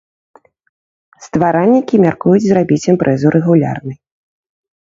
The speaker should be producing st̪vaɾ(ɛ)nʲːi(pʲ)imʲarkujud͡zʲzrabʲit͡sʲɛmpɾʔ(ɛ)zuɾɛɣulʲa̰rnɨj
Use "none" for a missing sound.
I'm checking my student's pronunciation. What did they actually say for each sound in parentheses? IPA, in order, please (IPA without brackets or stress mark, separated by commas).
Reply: a, kʲ, ɛ